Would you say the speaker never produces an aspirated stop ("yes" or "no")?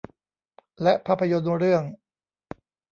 no